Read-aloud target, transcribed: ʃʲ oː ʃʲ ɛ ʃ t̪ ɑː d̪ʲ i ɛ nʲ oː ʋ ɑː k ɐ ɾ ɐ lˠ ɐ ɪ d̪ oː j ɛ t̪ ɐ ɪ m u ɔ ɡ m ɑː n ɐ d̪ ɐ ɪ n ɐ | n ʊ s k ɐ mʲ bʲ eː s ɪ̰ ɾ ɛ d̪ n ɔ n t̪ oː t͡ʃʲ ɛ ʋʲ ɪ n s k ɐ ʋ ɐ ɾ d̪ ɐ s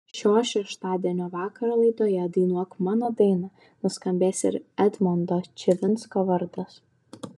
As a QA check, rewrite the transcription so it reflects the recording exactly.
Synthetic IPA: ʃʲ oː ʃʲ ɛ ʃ t̪ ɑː d̪ʲ i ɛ nʲ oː ʋ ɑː k ɐ ɾ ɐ lˠ ɐ ɪ d̪ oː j ɛ d̪ ɐ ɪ n u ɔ k m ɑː n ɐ d̪ ɐ ɪ n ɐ | n ʊ s k ɐ mʲ bʲ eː s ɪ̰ ɾ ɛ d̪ m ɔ n d̪ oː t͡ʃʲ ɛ ʋʲ ɪ n s k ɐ ʋ ɐ ɾ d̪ ɐ s